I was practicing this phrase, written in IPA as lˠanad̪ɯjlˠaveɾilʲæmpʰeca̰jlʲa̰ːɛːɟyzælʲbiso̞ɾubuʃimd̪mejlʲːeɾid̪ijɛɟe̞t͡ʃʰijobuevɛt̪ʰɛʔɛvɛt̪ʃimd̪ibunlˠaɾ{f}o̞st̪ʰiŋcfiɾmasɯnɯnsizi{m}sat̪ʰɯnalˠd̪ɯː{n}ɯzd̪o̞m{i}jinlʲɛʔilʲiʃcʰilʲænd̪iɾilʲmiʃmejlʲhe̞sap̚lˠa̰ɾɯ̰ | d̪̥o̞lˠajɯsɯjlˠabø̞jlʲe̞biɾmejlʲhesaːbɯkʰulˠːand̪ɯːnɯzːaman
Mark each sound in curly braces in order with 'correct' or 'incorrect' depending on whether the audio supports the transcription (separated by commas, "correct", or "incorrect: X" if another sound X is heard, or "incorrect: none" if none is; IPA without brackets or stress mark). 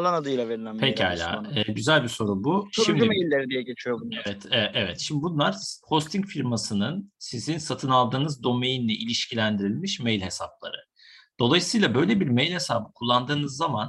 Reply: incorrect: h, incorrect: n, correct, incorrect: e